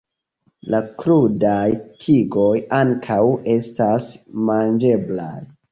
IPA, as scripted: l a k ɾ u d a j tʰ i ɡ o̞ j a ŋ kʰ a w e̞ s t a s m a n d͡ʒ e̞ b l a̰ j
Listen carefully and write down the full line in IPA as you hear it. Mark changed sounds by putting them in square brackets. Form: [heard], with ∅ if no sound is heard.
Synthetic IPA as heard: l a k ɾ u d a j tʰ i ɡ o̞ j a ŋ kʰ a w e̞ s t a s m a n d͡ʒ e̞ b l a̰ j